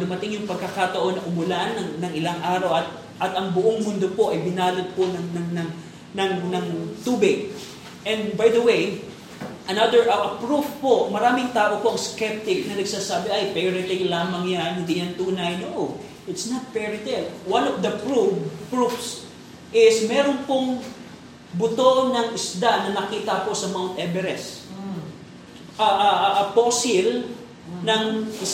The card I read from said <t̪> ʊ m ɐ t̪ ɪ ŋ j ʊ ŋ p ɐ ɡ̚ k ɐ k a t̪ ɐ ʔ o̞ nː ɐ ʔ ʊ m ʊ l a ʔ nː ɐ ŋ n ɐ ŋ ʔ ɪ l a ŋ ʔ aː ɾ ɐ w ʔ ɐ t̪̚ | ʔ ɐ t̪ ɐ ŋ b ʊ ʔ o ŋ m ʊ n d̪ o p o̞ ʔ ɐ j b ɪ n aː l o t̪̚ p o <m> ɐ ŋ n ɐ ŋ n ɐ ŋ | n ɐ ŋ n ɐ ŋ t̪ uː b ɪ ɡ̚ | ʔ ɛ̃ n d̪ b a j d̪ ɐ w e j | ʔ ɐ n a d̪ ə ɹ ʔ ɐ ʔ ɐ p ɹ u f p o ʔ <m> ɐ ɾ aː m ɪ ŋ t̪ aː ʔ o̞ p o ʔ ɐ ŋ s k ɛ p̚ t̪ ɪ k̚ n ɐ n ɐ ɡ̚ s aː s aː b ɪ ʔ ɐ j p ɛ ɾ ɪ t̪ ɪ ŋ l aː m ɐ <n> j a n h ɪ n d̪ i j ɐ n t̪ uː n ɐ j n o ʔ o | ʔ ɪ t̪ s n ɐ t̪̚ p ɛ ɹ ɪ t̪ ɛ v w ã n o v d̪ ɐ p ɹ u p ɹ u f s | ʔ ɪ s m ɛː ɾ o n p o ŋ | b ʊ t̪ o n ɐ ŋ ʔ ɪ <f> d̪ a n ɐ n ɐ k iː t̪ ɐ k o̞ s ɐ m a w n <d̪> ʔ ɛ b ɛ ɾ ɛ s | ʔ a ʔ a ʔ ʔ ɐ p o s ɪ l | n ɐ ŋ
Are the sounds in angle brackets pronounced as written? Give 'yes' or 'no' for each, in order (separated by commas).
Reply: no, no, yes, no, no, no